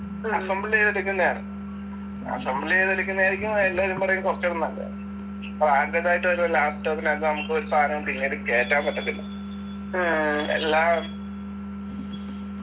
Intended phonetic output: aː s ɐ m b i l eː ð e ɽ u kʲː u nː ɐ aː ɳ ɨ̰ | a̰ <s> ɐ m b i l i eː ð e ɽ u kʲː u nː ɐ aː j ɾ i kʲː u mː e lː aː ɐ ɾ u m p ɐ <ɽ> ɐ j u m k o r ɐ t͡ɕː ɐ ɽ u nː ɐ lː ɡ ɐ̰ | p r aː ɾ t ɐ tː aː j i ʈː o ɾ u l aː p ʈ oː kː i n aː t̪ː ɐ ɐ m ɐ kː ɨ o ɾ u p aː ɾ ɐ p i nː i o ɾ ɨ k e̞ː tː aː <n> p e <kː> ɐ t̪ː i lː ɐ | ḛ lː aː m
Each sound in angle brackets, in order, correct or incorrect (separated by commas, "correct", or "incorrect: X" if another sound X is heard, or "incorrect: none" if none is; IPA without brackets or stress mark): correct, incorrect: r, incorrect: m, incorrect: ʈː